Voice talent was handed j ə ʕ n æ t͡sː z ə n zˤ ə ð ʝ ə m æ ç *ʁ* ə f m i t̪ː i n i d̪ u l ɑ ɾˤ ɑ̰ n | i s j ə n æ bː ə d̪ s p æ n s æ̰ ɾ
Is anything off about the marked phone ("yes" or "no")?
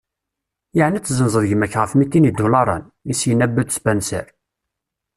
no